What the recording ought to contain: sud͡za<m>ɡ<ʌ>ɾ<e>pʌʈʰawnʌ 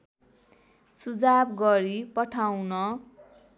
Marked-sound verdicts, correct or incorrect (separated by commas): incorrect, correct, incorrect